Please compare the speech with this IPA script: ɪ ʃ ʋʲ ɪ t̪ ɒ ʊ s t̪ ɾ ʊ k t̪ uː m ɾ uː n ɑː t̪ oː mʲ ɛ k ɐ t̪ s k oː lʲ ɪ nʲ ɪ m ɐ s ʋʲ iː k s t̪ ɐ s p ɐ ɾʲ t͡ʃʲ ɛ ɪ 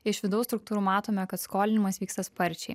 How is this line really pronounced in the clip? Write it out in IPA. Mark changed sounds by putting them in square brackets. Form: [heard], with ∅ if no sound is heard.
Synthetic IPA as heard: ɪ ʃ ʋʲ ɪ [d̪] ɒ ʊ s t̪ ɾ ʊ k t̪ uː [∅] ɾ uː [m] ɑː t̪ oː mʲ ɛ k ɐ t̪ s k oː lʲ ɪ nʲ ɪ m ɐ s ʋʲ iː k s t̪ ɐ s p ɐ ɾʲ t͡ʃʲ ɛ ɪ